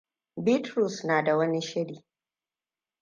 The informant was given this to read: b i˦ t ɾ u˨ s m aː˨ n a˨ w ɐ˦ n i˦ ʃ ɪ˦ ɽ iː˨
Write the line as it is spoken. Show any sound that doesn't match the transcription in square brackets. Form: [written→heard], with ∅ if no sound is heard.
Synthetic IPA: b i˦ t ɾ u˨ s [m→n] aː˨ [n→d] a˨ w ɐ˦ n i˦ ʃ ɪ˦ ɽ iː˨